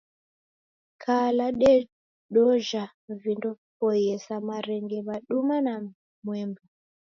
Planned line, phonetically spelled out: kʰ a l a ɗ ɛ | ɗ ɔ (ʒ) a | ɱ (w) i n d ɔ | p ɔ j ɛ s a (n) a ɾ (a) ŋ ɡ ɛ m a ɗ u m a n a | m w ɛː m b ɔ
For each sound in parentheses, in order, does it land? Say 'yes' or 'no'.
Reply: yes, no, no, no

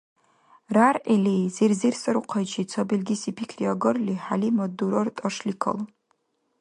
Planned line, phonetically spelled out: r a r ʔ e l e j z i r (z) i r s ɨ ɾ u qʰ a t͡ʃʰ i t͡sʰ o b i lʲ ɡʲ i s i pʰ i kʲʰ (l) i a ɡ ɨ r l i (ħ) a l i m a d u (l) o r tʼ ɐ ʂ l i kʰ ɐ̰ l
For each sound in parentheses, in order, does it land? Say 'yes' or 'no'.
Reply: yes, no, yes, no

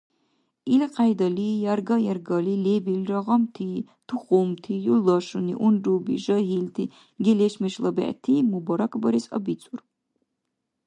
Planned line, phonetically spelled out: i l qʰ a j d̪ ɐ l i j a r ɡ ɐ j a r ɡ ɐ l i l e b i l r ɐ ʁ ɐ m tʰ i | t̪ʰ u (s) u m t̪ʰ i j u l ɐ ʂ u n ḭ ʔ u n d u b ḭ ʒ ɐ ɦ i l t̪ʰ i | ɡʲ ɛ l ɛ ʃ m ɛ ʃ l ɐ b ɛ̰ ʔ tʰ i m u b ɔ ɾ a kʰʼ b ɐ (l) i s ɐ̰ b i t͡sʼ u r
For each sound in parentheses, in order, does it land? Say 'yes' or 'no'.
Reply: no, no

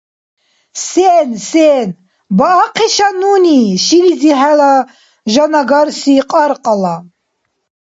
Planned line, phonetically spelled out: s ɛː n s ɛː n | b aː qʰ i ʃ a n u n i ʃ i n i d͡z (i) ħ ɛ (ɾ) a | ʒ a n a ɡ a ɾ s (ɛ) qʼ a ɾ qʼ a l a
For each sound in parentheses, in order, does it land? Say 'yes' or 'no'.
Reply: yes, no, no

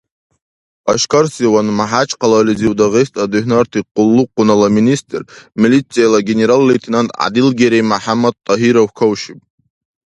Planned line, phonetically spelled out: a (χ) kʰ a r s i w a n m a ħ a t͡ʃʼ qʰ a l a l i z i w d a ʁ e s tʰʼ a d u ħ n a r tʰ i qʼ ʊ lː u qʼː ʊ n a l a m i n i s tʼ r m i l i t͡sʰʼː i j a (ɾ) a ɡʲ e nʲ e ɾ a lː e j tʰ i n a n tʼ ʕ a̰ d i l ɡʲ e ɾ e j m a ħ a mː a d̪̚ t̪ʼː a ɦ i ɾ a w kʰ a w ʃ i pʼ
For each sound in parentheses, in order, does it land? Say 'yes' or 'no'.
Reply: no, no

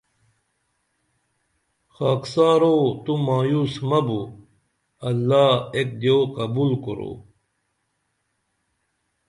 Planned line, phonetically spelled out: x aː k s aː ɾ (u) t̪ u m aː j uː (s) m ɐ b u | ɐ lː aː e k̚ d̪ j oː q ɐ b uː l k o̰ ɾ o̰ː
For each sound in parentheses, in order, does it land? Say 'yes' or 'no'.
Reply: no, yes

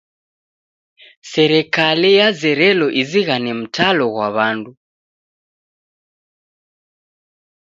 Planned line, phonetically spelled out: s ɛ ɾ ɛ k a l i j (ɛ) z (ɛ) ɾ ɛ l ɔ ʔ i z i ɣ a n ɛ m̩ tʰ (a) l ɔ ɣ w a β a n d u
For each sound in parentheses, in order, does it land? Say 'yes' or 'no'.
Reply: no, yes, yes

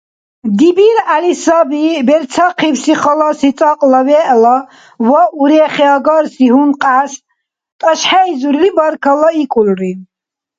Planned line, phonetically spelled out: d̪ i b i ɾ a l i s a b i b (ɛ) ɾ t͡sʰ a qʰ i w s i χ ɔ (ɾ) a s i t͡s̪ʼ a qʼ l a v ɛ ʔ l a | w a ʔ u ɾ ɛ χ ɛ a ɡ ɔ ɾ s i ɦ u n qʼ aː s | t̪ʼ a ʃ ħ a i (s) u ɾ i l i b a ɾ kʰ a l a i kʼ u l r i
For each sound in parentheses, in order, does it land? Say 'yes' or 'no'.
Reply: yes, no, no

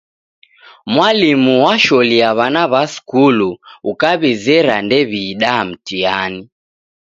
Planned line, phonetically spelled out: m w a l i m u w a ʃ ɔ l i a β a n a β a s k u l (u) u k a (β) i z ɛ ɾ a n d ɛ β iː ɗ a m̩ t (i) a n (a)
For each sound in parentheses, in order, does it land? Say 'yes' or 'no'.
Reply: yes, yes, yes, no

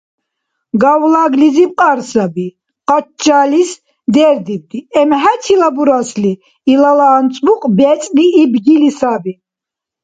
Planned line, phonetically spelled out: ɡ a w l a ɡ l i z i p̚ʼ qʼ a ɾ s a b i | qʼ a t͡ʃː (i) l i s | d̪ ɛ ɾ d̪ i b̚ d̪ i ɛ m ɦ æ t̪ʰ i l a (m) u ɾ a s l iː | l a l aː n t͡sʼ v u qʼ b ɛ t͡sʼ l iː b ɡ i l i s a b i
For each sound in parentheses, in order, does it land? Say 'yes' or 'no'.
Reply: no, no

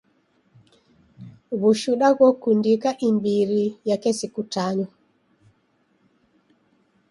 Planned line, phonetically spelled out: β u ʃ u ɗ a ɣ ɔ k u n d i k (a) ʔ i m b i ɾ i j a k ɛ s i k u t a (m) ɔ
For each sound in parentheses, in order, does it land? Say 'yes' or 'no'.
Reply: yes, no

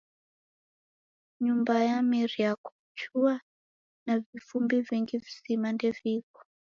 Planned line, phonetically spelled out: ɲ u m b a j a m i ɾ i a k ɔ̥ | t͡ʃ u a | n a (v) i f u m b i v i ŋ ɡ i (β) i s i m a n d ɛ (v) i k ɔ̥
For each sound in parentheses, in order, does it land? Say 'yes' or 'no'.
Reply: yes, no, yes

